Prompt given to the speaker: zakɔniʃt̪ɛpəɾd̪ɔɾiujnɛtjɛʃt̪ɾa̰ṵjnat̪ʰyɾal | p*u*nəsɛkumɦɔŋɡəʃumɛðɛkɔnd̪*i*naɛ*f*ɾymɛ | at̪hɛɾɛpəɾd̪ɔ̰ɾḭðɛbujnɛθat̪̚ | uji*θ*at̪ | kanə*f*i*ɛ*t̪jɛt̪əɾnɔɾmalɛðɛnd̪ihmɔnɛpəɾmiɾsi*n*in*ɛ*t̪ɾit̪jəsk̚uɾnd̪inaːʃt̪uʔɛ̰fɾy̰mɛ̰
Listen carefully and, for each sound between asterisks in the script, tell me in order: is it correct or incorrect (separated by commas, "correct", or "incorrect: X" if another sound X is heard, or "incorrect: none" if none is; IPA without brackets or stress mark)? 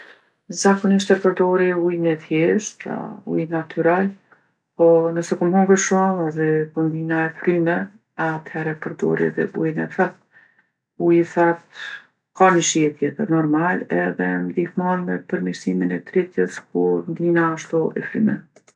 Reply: incorrect: ɔ, correct, correct, correct, incorrect: ʃ, correct, incorrect: m, correct